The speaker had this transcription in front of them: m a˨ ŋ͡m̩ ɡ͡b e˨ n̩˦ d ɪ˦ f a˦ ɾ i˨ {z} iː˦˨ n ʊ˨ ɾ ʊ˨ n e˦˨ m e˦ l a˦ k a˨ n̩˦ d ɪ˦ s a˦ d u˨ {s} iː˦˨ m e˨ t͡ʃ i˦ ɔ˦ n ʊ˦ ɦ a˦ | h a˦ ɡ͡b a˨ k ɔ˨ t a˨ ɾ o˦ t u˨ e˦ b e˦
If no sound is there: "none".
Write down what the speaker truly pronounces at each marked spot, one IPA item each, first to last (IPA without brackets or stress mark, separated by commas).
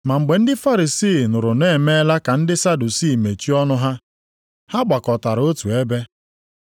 s, s